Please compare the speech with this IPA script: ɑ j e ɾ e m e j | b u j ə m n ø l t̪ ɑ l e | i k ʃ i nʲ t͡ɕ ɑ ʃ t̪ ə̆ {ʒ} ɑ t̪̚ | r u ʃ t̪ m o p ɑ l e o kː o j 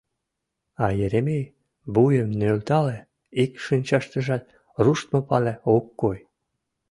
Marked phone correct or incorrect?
correct